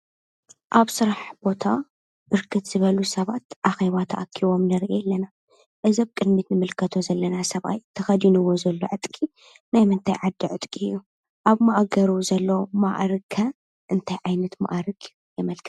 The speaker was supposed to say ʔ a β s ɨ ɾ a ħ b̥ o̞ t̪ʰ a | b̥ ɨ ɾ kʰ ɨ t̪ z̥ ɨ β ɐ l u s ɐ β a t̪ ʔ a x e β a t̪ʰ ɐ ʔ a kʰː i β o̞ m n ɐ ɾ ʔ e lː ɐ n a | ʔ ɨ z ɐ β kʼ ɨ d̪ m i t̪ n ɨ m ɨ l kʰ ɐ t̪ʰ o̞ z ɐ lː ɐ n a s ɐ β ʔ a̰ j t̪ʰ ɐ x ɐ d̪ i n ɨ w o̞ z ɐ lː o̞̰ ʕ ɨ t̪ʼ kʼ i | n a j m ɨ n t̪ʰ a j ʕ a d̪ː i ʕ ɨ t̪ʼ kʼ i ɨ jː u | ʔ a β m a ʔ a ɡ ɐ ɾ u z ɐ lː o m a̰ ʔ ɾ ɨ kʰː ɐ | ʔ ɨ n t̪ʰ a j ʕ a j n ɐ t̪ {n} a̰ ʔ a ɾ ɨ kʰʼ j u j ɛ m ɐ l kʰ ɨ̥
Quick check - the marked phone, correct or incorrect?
incorrect